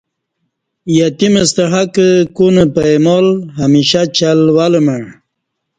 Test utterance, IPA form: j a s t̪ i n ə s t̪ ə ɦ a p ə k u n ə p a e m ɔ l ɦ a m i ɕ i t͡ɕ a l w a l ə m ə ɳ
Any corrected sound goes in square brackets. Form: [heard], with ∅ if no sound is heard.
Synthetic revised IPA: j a [∅] t̪ i [m] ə s t̪ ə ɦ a [k] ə k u n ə p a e m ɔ l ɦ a m i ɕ [a] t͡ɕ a l w a l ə m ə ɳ